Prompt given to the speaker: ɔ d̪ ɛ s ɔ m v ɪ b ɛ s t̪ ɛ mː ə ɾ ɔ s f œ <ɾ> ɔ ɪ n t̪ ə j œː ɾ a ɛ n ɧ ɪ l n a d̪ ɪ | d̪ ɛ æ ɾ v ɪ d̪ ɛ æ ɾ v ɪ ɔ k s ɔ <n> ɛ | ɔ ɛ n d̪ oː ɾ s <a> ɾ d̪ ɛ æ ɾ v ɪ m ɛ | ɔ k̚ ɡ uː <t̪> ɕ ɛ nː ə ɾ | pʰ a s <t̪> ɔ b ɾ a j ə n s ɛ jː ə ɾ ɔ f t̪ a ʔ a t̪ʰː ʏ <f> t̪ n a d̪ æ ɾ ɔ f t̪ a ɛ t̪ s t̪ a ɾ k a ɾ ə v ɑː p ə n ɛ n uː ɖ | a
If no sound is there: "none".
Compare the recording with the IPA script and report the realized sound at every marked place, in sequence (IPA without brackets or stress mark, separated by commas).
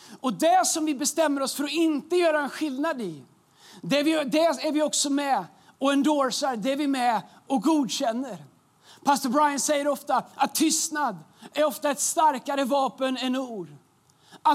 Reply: ɾ, m, a, d̪, t̪, s